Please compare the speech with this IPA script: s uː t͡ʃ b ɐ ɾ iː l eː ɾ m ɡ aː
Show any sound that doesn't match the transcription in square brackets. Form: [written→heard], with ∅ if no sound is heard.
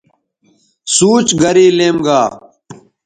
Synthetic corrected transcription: s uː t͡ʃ [b→ɡ] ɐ ɾ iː l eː [ɾ→∅] m ɡ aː